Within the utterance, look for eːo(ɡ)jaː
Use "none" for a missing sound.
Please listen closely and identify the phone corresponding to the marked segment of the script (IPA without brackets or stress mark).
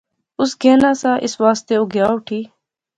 ɡ